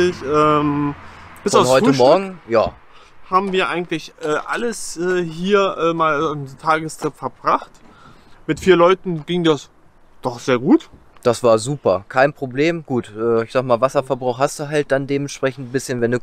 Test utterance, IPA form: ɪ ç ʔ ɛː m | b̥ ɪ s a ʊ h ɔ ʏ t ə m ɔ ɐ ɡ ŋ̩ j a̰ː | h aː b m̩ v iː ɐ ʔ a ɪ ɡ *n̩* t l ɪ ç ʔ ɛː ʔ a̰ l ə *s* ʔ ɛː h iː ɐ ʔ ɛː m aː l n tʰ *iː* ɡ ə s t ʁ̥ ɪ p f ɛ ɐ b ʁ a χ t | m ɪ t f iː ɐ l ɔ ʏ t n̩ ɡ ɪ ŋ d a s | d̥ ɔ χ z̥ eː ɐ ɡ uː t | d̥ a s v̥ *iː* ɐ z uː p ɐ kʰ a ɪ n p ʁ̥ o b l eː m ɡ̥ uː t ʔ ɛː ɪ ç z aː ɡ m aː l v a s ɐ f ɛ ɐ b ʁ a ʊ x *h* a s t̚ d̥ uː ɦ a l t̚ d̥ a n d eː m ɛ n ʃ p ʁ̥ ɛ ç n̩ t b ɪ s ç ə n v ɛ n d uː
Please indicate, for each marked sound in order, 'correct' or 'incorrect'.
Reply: incorrect: ŋ̩, correct, incorrect: aː, incorrect: aː, correct

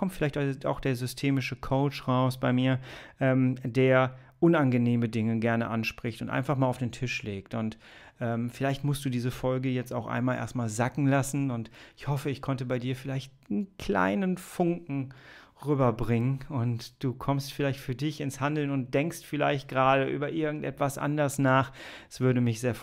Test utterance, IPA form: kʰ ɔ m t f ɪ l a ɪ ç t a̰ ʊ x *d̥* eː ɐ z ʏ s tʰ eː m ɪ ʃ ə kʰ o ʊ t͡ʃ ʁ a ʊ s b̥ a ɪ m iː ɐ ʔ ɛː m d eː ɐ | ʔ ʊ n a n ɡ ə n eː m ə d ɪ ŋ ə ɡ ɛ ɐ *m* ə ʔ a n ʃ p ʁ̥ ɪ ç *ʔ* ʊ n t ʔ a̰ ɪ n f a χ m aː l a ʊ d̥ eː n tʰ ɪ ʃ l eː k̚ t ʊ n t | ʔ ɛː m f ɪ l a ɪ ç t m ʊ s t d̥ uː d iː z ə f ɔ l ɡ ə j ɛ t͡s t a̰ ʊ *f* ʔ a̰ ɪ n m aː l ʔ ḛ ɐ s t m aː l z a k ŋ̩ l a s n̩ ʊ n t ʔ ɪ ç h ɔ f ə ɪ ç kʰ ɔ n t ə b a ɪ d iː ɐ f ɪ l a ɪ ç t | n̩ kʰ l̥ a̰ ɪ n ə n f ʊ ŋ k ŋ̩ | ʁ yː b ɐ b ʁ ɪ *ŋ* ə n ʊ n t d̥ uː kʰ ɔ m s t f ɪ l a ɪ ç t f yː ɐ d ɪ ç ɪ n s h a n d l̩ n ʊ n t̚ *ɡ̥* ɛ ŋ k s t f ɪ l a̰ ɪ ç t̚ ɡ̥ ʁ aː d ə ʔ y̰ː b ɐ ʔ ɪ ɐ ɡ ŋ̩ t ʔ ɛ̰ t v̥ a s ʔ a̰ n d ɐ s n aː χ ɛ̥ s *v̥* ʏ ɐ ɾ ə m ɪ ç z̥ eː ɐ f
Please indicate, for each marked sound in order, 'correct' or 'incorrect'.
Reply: correct, incorrect: n, incorrect: t, incorrect: x, correct, incorrect: d̥, correct

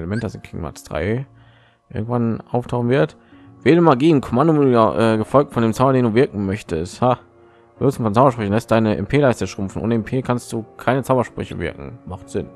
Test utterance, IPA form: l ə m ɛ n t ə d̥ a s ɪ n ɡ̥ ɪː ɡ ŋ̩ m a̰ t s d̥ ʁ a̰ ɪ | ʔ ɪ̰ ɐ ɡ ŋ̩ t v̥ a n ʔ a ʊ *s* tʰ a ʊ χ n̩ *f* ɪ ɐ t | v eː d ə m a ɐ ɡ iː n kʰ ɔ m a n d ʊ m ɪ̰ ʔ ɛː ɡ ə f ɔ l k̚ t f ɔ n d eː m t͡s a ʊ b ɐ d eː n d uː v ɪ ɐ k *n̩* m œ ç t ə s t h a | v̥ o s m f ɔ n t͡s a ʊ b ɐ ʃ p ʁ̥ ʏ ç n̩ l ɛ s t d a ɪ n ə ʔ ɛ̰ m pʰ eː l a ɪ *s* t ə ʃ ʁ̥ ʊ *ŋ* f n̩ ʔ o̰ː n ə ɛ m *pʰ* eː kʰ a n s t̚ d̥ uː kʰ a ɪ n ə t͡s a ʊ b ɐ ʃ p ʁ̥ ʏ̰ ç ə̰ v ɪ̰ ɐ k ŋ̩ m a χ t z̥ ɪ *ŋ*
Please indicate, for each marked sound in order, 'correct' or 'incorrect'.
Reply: incorrect: f, incorrect: v, incorrect: ŋ̩, correct, incorrect: m, correct, incorrect: n

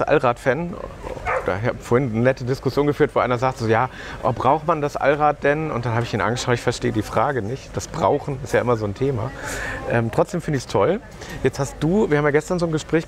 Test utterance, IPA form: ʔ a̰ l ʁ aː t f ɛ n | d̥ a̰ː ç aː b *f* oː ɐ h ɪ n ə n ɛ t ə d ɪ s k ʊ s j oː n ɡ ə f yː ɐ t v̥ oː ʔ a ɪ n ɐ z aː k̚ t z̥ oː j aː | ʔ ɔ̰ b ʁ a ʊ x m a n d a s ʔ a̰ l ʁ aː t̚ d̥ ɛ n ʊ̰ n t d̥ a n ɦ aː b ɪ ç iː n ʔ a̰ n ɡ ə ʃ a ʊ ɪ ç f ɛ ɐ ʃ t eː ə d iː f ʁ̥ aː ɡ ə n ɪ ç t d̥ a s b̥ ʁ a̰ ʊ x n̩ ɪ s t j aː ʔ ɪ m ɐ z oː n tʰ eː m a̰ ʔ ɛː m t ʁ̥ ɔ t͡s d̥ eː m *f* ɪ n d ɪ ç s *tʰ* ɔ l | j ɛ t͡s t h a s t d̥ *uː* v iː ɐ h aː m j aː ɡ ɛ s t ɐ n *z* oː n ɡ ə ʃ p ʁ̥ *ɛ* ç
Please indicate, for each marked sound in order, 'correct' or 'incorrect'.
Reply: correct, correct, correct, correct, correct, incorrect: ɛː

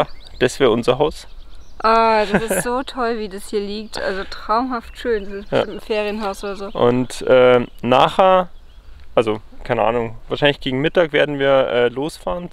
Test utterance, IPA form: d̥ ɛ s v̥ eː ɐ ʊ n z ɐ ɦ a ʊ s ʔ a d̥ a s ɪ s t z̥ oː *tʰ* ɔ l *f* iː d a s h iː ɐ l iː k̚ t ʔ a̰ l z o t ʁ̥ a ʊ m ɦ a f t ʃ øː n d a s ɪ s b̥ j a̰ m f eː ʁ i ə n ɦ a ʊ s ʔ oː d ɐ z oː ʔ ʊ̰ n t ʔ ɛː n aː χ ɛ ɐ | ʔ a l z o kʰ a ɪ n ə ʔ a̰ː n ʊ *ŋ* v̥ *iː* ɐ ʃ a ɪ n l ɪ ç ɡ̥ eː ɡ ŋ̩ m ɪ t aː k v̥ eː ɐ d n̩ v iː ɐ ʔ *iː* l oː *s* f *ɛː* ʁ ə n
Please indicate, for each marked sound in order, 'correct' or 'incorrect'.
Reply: correct, incorrect: v, correct, incorrect: aː, incorrect: ɛː, correct, incorrect: aː

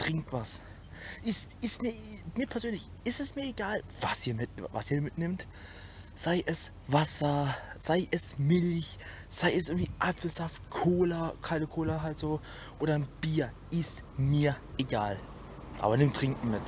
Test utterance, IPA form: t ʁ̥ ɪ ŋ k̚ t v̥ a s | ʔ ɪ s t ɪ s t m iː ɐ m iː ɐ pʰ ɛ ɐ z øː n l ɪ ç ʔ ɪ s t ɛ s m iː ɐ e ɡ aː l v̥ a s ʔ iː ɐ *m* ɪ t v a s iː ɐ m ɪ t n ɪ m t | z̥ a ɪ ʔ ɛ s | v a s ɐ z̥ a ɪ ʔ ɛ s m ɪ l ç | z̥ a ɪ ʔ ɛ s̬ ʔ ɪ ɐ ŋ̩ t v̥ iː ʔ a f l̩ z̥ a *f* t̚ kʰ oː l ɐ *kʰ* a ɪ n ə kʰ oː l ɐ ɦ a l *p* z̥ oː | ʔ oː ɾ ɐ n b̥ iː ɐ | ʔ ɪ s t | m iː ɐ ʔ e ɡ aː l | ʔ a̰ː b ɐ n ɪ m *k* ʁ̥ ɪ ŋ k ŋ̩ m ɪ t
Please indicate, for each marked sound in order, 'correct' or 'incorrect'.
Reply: correct, correct, correct, incorrect: t, incorrect: t

